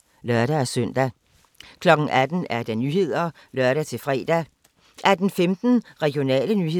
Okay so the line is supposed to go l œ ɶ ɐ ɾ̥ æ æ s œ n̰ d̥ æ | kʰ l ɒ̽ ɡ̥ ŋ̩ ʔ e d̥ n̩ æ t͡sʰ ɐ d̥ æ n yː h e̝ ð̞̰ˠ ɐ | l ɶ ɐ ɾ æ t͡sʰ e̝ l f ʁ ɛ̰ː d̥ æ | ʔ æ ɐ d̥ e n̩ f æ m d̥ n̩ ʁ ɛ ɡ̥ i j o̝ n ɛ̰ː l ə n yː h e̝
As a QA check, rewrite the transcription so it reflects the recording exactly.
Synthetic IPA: l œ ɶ ɐ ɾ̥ æ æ s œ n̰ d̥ æ | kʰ l ɒ̽ ɡ̥ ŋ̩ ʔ æ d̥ n̩ æ ɐ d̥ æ n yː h e̝ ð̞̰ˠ ɐ | l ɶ ɐ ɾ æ t͡sʰ e̝ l f ʁ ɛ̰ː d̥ æ | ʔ æ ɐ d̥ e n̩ f e m d̥ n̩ ʁ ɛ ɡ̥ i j o̝ n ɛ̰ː l ə n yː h e̝